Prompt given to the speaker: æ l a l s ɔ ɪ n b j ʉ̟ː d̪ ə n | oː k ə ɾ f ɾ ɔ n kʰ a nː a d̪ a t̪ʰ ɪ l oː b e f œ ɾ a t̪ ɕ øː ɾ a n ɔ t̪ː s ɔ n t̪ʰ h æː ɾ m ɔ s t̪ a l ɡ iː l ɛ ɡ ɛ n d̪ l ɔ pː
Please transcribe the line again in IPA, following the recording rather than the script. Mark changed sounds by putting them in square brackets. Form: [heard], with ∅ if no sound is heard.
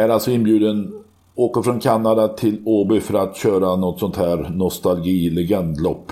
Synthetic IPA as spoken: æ [ɾ] a l s ɔ ɪ n b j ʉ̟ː d̪ ə n | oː k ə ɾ f ɾ ɔ n kʰ a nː a d̪ a t̪ʰ ɪ l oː b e f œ ɾ a t̪ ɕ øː ɾ a n ɔ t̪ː s ɔ n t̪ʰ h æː ɾ [n] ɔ s t̪ a l ɡ iː l ɛ ɡ ɛ n d̪ l ɔ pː